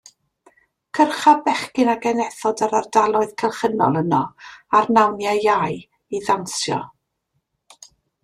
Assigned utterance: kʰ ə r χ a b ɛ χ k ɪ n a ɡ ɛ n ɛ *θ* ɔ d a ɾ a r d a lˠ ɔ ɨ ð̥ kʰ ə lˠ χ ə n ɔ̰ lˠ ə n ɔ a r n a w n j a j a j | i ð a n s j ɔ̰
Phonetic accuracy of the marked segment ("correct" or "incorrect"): correct